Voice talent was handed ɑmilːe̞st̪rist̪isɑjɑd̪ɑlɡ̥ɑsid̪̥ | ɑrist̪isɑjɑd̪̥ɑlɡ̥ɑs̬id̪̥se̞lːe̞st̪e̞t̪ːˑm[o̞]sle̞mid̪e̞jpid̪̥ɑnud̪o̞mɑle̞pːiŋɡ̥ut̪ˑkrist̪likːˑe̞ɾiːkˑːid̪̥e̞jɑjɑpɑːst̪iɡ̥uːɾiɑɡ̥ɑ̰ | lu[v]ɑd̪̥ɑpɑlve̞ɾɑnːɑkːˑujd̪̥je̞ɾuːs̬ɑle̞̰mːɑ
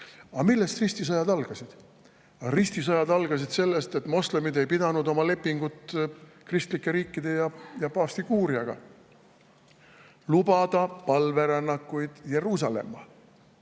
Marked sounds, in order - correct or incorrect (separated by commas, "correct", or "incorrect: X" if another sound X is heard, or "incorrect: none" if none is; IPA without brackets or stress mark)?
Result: correct, incorrect: b